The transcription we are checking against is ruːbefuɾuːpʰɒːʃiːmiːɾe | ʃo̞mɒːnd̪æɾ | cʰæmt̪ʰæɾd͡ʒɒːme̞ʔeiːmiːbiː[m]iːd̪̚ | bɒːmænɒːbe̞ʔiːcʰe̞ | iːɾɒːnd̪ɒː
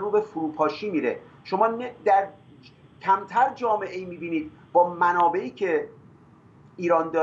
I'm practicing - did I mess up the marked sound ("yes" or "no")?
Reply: yes